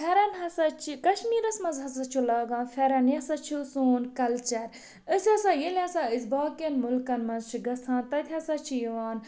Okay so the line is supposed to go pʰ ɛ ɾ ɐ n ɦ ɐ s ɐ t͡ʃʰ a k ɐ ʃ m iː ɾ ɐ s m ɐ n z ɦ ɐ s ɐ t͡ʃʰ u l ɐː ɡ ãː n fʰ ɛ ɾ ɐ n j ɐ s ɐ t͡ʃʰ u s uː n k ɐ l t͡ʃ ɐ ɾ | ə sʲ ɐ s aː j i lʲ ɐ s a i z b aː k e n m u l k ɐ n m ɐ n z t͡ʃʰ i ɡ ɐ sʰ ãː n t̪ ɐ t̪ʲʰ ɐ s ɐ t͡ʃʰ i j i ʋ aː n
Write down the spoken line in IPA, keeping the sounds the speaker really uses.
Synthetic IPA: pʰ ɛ ɾ ɐ n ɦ ɐ s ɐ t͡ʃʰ i k ɐ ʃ m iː ɾ ɐ s m ɐ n z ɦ ɐ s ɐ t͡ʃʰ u l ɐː ɡ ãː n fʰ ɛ ɾ ɐ n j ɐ s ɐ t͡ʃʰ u s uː n k ɐ l t͡ʃ ɐ ɾ | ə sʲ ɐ s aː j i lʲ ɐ s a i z b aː k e n m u l k ɐ n m ɐ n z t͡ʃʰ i ɡ ɐ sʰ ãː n t̪ ɐ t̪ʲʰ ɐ s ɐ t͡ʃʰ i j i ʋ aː n